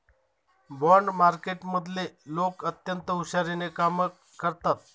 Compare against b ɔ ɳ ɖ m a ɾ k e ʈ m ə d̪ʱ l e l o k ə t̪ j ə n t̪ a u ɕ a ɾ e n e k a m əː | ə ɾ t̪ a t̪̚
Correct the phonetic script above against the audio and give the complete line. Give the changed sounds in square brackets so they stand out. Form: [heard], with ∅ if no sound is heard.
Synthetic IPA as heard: b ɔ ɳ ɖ m a ɾ k e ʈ m ə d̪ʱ l e l o k ə t̪ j ə n t̪ [ə] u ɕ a ɾ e n e k a m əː | ə ɾ t̪ a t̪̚